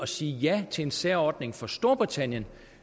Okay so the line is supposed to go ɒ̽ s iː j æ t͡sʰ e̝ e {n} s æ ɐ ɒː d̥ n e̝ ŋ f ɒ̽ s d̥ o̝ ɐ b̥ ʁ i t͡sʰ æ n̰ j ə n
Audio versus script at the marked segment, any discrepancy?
no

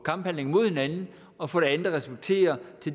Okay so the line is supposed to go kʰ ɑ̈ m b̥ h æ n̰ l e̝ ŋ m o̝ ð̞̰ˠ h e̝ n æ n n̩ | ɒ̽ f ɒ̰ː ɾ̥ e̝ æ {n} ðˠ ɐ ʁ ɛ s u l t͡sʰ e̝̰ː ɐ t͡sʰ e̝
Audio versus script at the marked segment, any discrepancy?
no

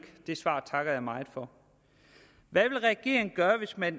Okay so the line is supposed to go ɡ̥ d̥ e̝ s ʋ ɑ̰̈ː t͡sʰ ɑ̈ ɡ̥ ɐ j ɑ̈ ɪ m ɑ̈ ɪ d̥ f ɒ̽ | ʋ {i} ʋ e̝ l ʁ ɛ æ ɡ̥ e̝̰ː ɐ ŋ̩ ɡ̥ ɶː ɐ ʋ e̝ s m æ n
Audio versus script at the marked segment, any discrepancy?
yes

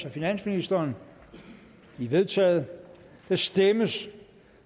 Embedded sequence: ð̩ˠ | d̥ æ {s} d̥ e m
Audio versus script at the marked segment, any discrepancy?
no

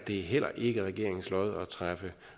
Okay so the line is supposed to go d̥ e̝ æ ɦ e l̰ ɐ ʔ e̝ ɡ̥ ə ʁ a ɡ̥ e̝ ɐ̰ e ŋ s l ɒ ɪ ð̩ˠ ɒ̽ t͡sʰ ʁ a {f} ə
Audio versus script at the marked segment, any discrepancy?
no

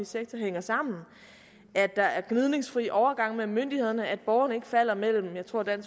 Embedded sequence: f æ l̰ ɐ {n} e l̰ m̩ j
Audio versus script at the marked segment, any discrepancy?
yes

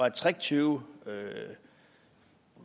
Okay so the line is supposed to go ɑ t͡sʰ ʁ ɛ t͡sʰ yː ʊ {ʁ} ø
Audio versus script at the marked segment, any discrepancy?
yes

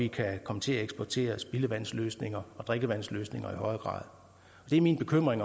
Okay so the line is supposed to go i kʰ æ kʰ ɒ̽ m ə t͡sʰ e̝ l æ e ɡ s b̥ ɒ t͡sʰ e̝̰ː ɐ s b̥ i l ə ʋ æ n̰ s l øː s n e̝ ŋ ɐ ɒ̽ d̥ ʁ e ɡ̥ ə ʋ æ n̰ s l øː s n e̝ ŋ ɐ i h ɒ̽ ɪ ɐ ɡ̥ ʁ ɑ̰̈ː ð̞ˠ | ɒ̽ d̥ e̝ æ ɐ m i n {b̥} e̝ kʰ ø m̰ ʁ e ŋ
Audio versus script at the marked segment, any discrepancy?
no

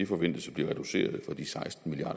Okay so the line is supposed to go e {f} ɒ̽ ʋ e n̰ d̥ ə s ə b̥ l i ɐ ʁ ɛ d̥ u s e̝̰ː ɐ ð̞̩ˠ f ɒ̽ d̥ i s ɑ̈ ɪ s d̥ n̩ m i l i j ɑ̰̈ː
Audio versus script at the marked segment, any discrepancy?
no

